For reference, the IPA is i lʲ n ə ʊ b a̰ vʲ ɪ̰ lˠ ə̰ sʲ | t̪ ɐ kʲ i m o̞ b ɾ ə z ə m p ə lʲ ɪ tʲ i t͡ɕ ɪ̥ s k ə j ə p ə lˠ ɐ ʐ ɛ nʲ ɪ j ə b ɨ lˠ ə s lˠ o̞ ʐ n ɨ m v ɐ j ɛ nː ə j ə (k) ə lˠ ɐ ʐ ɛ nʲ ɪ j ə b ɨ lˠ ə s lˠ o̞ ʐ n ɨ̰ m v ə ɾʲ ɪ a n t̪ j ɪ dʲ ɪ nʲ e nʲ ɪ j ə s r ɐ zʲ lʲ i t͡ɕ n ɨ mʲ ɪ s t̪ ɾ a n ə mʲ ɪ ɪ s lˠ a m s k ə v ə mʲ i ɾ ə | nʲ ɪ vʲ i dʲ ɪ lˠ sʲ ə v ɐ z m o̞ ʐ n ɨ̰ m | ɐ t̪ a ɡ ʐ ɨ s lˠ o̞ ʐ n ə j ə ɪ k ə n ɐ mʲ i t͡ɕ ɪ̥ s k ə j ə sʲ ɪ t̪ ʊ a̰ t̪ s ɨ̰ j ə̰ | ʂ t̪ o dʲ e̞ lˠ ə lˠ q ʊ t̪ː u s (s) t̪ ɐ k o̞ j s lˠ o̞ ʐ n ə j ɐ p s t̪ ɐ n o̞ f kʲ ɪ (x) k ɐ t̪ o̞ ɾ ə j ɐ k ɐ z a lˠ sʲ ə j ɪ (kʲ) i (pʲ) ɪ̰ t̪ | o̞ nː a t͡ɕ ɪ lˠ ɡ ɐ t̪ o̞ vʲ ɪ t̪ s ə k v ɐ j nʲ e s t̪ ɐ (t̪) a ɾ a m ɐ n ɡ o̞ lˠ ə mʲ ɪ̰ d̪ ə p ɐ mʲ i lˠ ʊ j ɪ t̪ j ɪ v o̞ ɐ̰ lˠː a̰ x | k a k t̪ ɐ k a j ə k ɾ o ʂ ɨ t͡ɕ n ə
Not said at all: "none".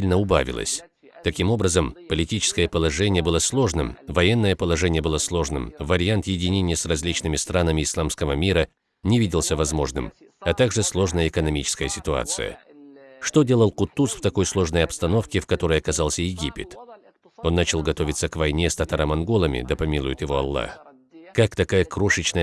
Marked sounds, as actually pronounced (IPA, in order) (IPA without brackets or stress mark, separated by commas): p, f, f, ɡʲ, pʲ, t̪